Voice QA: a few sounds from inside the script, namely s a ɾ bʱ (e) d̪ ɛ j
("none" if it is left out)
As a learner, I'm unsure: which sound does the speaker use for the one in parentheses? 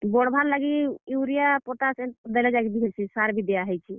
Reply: i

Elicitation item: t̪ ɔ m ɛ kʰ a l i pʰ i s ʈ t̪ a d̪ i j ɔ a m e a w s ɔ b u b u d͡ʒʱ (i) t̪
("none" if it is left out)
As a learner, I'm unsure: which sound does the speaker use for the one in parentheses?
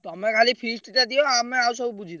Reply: i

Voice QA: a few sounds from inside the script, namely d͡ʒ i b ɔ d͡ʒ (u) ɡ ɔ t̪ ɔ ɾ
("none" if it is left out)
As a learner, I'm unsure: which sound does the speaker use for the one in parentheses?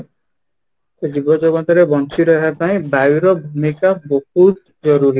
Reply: ɔ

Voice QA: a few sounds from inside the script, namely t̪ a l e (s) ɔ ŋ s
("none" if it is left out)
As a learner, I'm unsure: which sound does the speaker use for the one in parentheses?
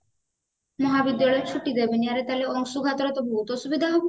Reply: none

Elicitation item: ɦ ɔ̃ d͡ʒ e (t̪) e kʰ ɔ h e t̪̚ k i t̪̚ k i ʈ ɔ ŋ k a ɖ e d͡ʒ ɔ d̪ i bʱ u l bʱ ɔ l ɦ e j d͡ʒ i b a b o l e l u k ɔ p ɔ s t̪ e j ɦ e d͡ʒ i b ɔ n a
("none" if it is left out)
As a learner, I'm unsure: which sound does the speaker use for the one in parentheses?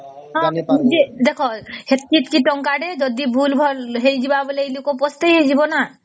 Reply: d̪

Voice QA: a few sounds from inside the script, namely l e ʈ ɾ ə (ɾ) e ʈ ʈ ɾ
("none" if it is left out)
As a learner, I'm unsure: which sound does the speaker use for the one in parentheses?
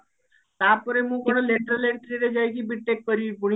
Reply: l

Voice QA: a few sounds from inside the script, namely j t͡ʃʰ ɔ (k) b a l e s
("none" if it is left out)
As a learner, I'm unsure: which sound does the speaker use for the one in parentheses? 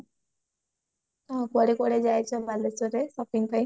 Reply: none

